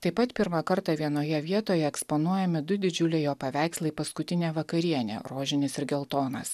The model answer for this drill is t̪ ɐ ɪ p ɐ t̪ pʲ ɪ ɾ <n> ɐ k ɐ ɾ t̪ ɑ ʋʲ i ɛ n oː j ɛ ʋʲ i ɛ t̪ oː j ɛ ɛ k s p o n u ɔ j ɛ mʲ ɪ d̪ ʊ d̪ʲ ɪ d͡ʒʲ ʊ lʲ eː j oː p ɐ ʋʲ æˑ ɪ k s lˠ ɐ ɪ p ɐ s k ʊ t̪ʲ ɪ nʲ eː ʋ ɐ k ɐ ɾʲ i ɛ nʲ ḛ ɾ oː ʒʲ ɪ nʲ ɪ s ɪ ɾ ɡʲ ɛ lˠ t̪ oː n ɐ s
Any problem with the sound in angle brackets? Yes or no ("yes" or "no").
yes